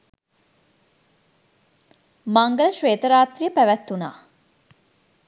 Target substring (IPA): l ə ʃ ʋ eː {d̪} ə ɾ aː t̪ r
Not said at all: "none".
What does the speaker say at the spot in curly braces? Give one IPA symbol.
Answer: t̪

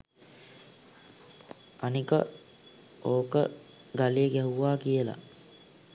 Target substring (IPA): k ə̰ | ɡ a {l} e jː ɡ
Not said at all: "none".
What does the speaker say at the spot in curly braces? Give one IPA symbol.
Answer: l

